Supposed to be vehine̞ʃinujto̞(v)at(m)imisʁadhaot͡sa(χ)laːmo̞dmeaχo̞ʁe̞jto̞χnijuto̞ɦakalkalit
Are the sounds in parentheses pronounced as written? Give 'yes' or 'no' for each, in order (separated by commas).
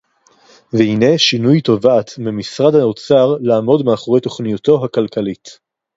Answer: yes, yes, no